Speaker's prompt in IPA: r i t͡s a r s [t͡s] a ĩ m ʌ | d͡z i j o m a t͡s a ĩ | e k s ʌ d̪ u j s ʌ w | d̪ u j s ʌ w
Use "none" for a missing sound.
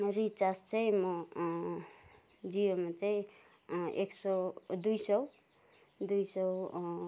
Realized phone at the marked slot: t͡s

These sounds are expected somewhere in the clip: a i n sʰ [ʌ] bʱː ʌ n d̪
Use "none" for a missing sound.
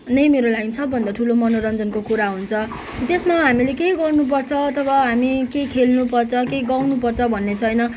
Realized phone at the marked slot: ʌ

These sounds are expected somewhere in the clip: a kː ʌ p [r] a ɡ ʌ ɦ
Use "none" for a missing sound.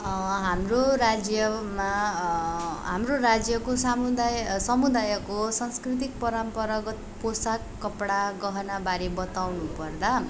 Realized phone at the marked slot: ɽ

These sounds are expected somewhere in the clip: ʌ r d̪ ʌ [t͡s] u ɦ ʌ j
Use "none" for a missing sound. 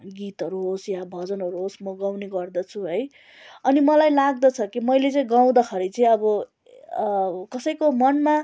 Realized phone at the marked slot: t͡sʰ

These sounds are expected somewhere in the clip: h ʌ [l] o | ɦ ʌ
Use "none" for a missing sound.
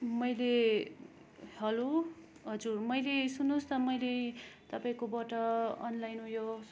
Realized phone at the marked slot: l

